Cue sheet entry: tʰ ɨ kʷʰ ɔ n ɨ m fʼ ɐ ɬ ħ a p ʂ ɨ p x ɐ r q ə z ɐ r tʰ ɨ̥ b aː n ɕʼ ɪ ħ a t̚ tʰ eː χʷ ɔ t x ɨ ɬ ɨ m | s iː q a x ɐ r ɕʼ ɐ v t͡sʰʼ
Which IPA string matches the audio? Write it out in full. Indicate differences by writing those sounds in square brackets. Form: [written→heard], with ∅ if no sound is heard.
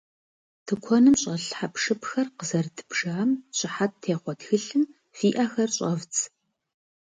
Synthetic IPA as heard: tʰ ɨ kʷʰ ɔ n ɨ m [fʼ→ɕʼ] ɐ ɬ ħ a p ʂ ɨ p x ɐ r q ə z ɐ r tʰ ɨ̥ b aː [n→m] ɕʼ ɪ ħ a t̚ tʰ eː χʷ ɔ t x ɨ ɬ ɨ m | [s→f] iː [q→ʔ] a x ɐ r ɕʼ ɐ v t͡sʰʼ